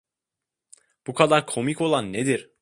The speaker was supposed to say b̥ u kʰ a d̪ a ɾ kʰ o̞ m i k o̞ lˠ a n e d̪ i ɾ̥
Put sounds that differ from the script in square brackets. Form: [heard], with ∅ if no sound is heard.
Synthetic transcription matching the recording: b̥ u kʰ a d̪ a ɾ kʰ o̞ m i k o̞ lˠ a [nː] e d̪ i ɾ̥